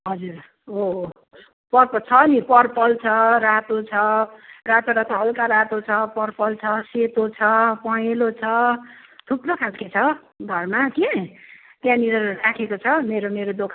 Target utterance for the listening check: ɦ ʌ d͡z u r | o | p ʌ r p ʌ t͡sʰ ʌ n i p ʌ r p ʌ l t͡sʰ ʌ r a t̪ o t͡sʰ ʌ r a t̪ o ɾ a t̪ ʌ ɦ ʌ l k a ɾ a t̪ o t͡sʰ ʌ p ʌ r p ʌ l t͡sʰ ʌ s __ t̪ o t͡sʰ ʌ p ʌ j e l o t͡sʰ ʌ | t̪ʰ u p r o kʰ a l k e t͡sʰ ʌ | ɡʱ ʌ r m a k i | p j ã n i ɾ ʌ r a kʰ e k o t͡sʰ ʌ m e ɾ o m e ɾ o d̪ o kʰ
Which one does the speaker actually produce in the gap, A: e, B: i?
A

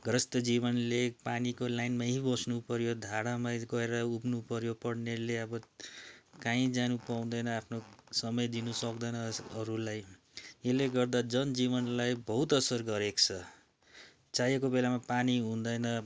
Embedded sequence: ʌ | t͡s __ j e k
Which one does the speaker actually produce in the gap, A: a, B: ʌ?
A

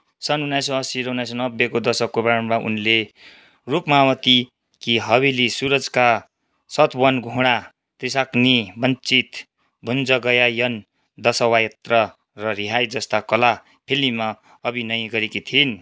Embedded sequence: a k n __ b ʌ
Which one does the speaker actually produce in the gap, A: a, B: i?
B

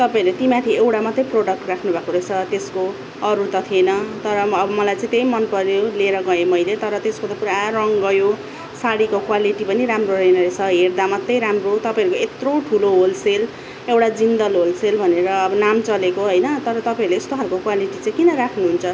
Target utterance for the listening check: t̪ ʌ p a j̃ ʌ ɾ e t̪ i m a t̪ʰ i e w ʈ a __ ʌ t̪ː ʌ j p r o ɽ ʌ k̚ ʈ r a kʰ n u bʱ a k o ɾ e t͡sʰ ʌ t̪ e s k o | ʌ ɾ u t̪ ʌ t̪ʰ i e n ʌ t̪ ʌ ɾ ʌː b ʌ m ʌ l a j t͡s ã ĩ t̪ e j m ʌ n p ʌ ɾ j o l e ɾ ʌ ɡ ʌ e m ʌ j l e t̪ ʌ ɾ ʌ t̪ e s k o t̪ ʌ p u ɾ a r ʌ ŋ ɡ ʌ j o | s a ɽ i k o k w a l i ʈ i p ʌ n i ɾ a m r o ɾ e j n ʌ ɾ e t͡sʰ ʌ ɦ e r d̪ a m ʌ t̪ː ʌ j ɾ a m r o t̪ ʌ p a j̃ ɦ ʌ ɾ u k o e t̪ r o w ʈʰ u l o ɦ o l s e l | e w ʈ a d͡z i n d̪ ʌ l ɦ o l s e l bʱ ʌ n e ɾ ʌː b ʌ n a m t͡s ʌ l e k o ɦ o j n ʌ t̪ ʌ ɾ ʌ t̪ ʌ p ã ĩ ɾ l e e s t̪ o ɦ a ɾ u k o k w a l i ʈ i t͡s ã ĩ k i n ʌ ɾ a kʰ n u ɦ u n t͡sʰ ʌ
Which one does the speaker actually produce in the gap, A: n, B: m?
B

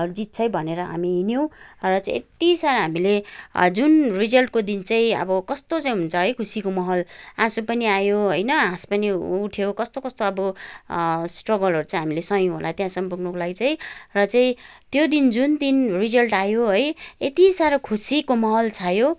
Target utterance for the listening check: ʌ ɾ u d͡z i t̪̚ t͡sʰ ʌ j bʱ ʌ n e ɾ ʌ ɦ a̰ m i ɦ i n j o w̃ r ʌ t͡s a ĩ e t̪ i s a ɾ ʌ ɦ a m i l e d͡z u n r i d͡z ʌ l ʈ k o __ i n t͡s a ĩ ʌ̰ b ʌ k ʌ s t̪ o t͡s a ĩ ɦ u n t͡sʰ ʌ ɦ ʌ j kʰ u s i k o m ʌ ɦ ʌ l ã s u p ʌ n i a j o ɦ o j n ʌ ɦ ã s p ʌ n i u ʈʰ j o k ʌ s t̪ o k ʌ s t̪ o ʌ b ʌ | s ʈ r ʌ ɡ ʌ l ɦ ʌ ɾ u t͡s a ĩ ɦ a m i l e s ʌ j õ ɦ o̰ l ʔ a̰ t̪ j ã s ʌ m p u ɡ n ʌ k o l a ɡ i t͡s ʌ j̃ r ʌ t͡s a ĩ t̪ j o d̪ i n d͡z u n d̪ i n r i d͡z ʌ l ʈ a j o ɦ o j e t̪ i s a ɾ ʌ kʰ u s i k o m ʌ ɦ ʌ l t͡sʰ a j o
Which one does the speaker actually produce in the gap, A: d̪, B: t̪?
A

